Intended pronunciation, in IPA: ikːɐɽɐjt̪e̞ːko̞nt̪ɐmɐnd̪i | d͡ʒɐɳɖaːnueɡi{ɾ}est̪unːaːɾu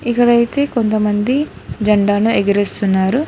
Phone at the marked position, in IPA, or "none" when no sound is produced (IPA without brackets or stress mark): ɾ